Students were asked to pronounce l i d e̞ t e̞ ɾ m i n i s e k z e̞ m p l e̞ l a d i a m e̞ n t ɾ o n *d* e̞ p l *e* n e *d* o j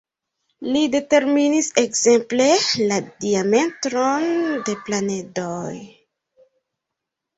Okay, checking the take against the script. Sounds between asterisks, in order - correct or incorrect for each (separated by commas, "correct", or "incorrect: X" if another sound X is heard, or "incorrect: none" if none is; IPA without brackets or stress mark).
correct, incorrect: a, correct